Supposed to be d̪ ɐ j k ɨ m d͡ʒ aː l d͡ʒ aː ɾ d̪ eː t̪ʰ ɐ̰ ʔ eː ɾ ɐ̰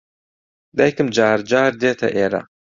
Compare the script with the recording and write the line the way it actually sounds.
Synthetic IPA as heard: d̪ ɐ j k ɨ m d͡ʒ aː ɾ d͡ʒ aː ɾ d̪ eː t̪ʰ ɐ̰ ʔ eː ɾ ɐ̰